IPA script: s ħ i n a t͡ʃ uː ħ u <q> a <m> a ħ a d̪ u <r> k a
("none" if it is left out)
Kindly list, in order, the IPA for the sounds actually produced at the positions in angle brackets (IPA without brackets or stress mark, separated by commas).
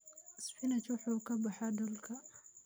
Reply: k, b, l